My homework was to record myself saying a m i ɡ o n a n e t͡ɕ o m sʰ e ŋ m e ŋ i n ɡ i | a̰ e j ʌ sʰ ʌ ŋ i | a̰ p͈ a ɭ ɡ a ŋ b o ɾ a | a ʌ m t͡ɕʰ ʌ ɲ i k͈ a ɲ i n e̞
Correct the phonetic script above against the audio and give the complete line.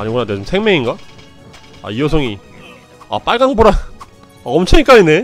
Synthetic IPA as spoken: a ɲ i ɡ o n a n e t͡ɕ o m sʰ e ŋ m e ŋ i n ɡ a | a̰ i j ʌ sʰ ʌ ŋ i | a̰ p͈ a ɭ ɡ a ŋ b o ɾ a | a ʌ m t͡ɕʰ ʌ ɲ i k͈ a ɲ i n e̞